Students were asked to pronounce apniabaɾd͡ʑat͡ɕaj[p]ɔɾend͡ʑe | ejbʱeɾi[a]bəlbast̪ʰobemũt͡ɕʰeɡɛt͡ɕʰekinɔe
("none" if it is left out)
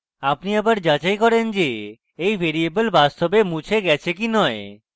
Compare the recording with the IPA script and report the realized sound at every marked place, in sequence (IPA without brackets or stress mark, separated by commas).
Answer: k, e